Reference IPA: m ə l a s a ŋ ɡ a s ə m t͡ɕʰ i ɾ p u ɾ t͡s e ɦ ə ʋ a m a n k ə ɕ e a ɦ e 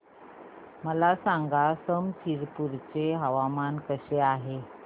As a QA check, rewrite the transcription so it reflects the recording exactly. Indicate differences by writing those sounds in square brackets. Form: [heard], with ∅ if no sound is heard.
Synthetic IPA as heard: m ə l a s a ŋ ɡ a s ə m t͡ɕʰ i ɾ p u ɾ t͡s e ɦ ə ʋ a m a n k ə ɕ e a ɦ e